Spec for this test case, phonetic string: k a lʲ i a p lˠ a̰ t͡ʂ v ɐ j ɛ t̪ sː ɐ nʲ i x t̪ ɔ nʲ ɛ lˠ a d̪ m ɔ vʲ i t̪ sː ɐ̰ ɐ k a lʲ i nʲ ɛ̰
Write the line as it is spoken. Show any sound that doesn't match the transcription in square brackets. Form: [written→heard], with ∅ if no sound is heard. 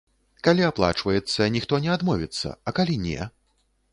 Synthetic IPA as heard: k a lʲ i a p lˠ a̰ t͡ʂ v ɐ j ɛ t̪ sː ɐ nʲ i x t̪ ɔ nʲ ɛ [lˠ→∅] a d̪ m ɔ vʲ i t̪ sː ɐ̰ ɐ k a lʲ i nʲ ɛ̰

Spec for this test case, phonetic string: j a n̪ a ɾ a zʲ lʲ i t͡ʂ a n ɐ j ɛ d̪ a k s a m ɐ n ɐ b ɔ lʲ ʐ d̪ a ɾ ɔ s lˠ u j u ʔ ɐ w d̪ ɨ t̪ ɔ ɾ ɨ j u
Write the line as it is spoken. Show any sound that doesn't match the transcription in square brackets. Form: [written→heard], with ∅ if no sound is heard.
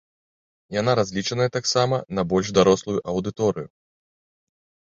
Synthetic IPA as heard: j a n̪ a ɾ a zʲ lʲ i t͡ʂ [a→ɐ] n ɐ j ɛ [d̪→t̪] a k s a m ɐ n ɐ b ɔ lʲ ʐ d̪ a ɾ ɔ s lˠ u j u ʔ ɐ w d̪ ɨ t̪ ɔ ɾ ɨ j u

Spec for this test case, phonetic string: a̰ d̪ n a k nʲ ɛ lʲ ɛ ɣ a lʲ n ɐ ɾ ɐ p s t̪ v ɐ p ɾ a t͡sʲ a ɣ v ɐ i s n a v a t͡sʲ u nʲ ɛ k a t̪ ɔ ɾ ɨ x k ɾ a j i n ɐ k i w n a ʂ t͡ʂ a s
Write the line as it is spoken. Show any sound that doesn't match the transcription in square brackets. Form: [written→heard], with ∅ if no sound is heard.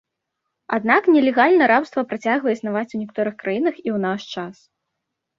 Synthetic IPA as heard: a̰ d̪ n a k nʲ ɛ lʲ ɛ ɣ a lʲ n ɐ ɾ [ɐ→a] p s t̪ v ɐ p ɾ a t͡sʲ a ɣ v ɐ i s n a v a t͡sʲ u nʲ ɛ k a t̪ ɔ ɾ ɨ x k ɾ a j i n ɐ [k→x] i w n a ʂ t͡ʂ a s

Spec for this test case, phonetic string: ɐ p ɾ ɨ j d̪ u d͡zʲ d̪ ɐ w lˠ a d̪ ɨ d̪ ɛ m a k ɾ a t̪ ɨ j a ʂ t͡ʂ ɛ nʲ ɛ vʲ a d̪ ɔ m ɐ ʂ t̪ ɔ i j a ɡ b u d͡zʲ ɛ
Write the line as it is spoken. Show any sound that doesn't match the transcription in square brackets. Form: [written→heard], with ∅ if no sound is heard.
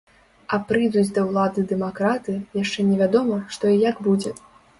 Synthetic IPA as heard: ɐ p ɾ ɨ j d̪ u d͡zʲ d̪ ɐ w lˠ a d̪ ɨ d̪ ɛ m a k ɾ a t̪ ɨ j a ʂ t͡ʂ ɛ nʲ ɛ vʲ a d̪ ɔ m ɐ ʂ t̪ ɔ i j a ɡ b u d͡zʲ ɛ

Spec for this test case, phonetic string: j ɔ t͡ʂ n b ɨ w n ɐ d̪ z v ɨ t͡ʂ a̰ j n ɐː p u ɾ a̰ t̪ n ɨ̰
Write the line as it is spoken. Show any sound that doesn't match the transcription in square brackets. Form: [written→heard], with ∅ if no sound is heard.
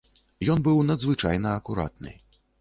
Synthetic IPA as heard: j ɔ [t͡ʂ→∅] n b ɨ w n ɐ d̪ z v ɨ t͡ʂ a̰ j n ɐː [p→k] u ɾ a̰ t̪ n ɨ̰

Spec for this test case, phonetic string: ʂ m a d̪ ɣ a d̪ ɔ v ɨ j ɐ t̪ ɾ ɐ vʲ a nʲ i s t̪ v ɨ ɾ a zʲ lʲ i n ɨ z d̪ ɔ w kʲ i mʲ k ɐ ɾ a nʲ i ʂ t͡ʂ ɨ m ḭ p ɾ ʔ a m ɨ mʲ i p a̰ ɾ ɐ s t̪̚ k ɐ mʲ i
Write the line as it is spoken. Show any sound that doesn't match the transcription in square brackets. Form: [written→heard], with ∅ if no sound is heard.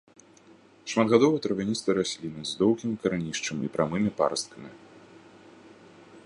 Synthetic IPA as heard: ʂ m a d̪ ɣ a d̪ ɔ v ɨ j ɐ t̪ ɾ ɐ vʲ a nʲ i s t̪ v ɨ ɾ a [zʲ→sʲ] lʲ i n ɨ z d̪ ɔ w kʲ i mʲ k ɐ ɾ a nʲ i ʂ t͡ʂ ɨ m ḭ p ɾ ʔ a m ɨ mʲ i p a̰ ɾ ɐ s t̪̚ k ɐ mʲ i

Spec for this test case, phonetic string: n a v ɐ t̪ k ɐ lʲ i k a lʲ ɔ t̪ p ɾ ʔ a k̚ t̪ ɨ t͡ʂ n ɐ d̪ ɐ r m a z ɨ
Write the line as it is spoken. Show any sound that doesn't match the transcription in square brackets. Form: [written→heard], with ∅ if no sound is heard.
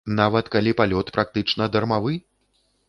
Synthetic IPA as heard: n a v ɐ t̪ k [ɐ→a] lʲ i [k→p] a lʲ ɔ t̪ p ɾ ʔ a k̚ t̪ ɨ t͡ʂ n ɐ d̪ ɐ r m a [z→v] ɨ

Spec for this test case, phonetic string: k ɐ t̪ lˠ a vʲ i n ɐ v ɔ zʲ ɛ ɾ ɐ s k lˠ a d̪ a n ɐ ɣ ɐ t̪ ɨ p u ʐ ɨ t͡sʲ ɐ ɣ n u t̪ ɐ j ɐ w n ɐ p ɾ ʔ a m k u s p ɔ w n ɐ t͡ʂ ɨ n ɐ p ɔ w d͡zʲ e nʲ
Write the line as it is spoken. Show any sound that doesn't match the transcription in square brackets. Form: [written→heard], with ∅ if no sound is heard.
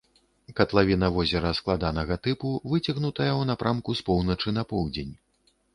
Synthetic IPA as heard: k ɐ t̪ lˠ a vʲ i n ɐ v ɔ zʲ ɛ ɾ ɐ s k lˠ a d̪ a n ɐ ɣ ɐ t̪ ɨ p u [ʐ→v] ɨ t͡sʲ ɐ ɣ n u t̪ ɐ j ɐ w n [ɐ→a] p ɾ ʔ a m k u s p ɔ w n ɐ t͡ʂ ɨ n ɐ p ɔ w d͡zʲ e nʲ

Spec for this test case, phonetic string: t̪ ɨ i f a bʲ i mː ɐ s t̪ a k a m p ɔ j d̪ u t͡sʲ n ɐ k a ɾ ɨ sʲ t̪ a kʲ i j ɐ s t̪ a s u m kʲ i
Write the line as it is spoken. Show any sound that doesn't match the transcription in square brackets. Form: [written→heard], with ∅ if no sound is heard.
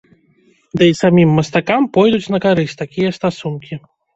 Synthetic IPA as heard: [t̪→d̪] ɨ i [f→s] a [bʲ→mʲ] i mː ɐ s t̪ a k a m p ɔ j d̪ u t͡sʲ n ɐ k a ɾ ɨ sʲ t̪ a kʲ i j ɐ s t̪ a s u [m→n] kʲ i

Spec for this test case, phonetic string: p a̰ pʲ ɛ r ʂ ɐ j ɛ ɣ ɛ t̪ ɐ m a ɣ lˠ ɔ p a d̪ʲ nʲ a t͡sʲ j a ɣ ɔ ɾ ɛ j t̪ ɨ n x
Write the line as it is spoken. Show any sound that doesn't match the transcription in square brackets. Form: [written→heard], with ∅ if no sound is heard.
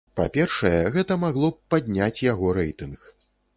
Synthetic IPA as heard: p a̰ pʲ ɛ r ʂ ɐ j ɛ ɣ ɛ t̪ ɐ m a ɣ lˠ ɔ p a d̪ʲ nʲ a t͡sʲ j a ɣ ɔ ɾ ɛ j t̪ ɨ n x

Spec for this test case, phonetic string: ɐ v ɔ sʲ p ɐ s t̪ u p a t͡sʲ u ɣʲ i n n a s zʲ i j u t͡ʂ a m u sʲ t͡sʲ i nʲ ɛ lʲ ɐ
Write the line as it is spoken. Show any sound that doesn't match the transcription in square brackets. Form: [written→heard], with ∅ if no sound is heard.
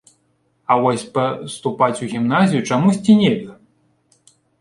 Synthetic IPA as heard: ɐ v ɔ sʲ p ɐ s t̪ u p a t͡sʲ u ɣʲ i [n→m] n a [s→∅] zʲ i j u t͡ʂ a m u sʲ t͡sʲ i nʲ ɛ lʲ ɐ

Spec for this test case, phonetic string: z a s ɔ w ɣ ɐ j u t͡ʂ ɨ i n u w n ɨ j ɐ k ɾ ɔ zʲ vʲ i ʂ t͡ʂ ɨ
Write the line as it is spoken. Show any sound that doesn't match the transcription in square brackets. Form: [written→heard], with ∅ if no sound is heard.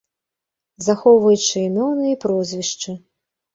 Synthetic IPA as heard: z a [s→x] ɔ w [ɣ→v] ɐ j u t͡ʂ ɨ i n [u→ɔ] w n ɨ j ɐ [k→p] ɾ ɔ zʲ vʲ i ʂ t͡ʂ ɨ

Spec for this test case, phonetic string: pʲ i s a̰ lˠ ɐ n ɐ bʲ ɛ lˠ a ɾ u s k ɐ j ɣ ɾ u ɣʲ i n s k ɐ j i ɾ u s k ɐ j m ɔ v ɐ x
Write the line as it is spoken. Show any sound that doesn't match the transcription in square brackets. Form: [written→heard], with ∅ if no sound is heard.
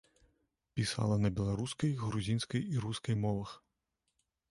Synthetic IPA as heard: pʲ i s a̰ lˠ ɐ n ɐ bʲ ɛ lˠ a ɾ u s k ɐ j ɣ ɾ u [ɣʲ→zʲ] i n s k ɐ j i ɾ u s k ɐ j m ɔ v ɐ x

